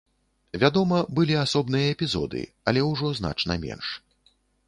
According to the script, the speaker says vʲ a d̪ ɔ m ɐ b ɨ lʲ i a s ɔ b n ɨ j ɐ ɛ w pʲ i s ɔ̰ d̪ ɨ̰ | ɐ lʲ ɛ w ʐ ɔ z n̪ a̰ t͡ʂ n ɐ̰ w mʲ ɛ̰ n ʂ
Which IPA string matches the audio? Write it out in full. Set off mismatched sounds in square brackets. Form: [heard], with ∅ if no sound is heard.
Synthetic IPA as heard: vʲ a d̪ ɔ m ɐ b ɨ lʲ i a s ɔ b n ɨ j ɐ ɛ [∅] pʲ i [z] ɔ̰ d̪ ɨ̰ | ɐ lʲ ɛ w ʐ ɔ z n̪ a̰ t͡ʂ n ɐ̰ [∅] mʲ ɛ̰ n ʂ